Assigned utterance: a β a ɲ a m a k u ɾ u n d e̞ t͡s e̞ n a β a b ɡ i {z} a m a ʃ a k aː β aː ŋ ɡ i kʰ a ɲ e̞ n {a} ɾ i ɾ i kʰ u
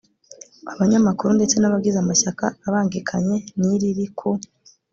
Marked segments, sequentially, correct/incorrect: correct, incorrect: i

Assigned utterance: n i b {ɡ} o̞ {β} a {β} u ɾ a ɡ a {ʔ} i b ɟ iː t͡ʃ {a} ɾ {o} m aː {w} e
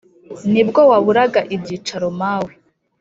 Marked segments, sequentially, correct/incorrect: correct, incorrect: w, correct, correct, correct, correct, correct

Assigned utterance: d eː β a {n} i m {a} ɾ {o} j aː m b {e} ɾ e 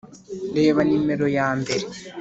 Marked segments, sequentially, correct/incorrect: correct, incorrect: e, correct, correct

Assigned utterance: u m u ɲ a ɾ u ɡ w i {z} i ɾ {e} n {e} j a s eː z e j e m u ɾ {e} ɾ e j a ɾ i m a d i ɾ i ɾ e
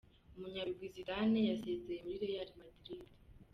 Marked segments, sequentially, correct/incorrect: correct, incorrect: a, correct, incorrect: i

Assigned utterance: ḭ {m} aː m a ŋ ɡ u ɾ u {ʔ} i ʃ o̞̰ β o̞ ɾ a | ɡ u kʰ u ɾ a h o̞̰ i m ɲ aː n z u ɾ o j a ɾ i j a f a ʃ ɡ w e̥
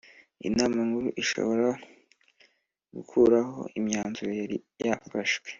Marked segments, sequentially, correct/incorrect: incorrect: n, correct

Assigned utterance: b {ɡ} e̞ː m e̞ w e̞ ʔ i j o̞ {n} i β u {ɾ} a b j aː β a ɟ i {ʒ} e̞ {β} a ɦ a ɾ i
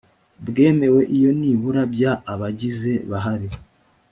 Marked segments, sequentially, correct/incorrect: correct, correct, correct, incorrect: z, correct

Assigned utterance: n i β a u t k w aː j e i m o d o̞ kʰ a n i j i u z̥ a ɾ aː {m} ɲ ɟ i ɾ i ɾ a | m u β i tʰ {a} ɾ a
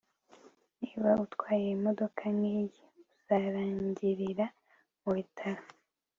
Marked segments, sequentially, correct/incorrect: incorrect: ɲ, correct

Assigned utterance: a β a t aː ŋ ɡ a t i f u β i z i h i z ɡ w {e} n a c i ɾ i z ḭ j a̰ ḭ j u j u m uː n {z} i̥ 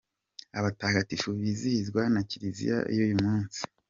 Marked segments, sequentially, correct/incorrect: incorrect: a, incorrect: s

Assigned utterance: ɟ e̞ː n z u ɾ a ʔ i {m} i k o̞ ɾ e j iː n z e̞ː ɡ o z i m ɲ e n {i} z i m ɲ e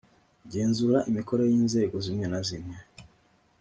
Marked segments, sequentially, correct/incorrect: correct, incorrect: a

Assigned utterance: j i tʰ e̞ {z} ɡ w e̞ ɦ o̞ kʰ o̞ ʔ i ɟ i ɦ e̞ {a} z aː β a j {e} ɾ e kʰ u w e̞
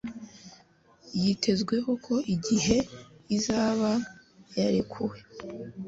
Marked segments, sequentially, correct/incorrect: correct, incorrect: i, incorrect: a

